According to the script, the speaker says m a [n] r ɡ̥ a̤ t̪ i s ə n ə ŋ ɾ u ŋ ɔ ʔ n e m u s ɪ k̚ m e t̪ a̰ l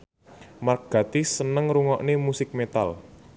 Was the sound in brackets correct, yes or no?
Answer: no